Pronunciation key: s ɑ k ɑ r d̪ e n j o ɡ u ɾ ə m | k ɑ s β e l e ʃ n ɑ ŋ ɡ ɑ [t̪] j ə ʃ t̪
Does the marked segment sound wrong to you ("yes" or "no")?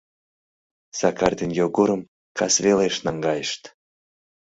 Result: yes